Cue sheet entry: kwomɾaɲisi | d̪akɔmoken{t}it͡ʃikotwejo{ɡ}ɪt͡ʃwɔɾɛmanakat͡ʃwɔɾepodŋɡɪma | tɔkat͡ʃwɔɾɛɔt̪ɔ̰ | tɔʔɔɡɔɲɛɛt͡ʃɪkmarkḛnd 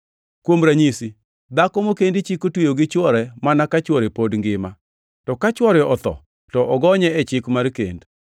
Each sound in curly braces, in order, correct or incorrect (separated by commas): incorrect, correct